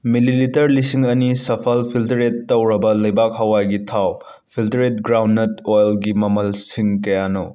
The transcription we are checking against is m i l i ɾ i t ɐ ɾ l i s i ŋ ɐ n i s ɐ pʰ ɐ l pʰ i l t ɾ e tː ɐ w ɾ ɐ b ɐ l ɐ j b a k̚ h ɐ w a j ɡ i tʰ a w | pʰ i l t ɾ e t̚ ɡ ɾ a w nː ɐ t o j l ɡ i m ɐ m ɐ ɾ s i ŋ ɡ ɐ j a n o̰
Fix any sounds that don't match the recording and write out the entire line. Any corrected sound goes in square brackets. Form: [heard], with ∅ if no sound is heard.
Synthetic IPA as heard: m i l i [l] i t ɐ ɾ l i s i ŋ ɐ n i s ɐ pʰ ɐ l pʰ i l t ɾ e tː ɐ w ɾ ɐ b ɐ l ɐ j b a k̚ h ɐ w a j ɡ i tʰ a w | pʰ i l t ɾ e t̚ ɡ ɾ a w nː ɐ t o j l ɡ i m ɐ m ɐ [l] s i ŋ [k] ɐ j a n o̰